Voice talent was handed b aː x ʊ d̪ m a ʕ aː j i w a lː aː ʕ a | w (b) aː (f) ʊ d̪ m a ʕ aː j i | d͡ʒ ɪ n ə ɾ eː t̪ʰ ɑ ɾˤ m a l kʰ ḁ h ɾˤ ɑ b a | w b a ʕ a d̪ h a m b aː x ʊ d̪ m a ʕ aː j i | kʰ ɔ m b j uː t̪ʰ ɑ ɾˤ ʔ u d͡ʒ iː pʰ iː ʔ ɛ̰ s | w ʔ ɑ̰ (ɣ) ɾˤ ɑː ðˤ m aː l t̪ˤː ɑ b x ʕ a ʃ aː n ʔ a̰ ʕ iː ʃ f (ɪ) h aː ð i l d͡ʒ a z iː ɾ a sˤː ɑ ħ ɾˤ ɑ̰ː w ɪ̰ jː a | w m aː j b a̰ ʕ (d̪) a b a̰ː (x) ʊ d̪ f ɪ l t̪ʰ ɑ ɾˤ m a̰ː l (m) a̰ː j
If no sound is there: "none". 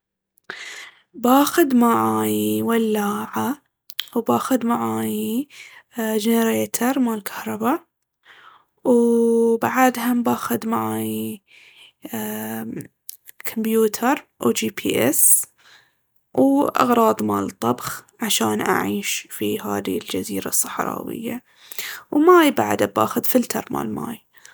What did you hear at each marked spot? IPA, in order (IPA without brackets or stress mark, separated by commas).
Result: b, x, ɣ, i, d̪, x, m